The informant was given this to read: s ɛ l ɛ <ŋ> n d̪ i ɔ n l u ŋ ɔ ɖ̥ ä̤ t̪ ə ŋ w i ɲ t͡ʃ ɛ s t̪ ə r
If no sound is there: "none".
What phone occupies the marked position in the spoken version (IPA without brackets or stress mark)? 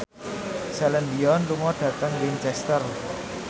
none